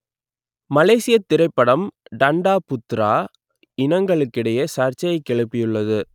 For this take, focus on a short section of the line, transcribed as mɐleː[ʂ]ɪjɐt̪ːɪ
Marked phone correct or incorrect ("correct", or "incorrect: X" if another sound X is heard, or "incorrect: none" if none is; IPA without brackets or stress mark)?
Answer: incorrect: s